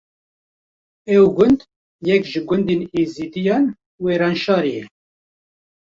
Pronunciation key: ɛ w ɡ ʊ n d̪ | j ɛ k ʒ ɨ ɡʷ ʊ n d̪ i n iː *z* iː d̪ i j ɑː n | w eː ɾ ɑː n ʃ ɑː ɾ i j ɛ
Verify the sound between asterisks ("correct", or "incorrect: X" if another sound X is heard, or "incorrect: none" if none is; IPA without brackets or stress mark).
correct